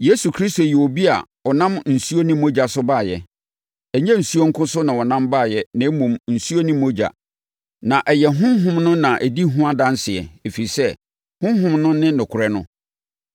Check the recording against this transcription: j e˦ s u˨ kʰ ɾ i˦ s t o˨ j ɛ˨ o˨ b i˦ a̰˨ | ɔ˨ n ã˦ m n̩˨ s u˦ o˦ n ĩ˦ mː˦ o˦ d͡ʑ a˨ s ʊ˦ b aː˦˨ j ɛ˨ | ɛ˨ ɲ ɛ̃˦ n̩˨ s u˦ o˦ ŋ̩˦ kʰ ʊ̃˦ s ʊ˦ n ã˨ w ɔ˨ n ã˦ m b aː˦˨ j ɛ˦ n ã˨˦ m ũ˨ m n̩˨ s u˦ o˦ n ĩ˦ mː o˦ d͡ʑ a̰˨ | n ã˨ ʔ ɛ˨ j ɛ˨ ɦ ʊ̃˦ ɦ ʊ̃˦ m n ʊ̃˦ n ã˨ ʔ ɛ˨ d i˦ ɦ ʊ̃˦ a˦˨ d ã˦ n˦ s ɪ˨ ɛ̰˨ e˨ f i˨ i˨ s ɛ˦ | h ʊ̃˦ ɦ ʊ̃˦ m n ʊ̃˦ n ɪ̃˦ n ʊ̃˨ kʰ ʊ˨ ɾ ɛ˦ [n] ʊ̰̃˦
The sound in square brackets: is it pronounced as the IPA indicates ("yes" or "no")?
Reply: yes